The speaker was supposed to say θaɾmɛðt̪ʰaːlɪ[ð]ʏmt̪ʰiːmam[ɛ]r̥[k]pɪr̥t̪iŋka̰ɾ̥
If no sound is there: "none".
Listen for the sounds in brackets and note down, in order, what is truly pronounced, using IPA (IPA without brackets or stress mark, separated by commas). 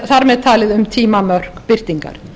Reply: ð, œ, k